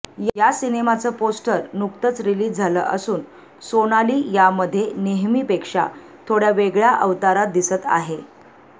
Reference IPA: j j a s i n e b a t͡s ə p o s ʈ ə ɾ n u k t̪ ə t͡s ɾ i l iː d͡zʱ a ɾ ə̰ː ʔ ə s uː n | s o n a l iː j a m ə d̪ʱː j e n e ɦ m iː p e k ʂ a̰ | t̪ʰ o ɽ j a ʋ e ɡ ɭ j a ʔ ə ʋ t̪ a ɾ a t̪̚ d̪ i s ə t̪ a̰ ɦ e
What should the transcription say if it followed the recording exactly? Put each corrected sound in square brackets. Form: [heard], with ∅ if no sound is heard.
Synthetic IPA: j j a s i n e [m] a t͡s ə p o s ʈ ə ɾ n u k t̪ ə t͡s ɾ i l iː d͡zʱ a [l] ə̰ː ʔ ə s uː n | s o n a l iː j a m ə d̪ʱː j e n e ɦ m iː p e k ʂ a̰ | t̪ʰ o ɽ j a ʋ e ɡ ɭ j a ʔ ə ʋ t̪ a ɾ a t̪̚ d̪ i s ə t̪ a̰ ɦ e